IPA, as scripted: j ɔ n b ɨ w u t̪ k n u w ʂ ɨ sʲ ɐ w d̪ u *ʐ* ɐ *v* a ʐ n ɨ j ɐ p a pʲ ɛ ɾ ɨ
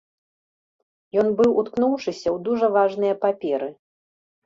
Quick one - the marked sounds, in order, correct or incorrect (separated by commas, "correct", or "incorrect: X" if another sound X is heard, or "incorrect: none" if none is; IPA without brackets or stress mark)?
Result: correct, correct